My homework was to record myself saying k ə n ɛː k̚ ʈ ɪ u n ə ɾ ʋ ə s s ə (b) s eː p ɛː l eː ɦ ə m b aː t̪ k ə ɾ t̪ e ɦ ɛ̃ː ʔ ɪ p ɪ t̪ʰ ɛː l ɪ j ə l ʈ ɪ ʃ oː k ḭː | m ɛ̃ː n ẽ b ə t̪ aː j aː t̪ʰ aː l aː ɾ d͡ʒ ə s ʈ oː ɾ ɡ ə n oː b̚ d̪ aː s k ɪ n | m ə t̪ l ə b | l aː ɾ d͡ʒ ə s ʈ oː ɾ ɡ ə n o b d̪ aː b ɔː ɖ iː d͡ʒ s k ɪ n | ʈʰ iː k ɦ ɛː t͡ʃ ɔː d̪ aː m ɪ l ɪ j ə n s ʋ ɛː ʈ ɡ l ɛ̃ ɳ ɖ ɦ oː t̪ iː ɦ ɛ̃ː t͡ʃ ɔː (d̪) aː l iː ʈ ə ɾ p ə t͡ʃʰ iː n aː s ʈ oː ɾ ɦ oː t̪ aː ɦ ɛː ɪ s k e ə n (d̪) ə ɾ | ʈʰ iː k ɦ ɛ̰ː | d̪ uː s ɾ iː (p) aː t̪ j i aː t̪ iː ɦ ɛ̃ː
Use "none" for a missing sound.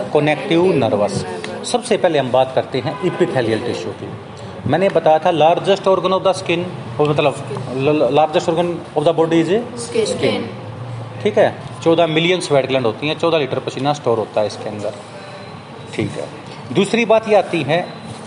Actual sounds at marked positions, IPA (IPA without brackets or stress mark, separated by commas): b, d̪, d̪, b